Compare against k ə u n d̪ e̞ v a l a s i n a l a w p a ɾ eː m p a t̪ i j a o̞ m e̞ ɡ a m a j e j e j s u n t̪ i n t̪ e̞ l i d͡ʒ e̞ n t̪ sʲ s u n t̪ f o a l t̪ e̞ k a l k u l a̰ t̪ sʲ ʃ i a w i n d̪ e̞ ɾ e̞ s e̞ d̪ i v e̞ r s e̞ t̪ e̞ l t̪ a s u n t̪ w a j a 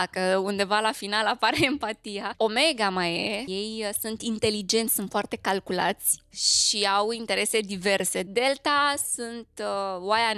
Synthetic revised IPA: k ə u n d̪ e̞ v a l a f i n a l a p a ɾ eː m p a t̪ i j a o̞ m e̞ ɡ a m a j e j e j s u n t̪ i n t̪ e̞ l i d͡ʒ e̞ n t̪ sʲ s u n t̪ f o a r t̪ e̞ k a l k u l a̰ t̪ sʲ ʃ i a w i n t̪ e̞ ɾ e̞ s e̞ d̪ i v e̞ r s e̞ d̪ e̞ l t̪ a s u n t̪ w a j a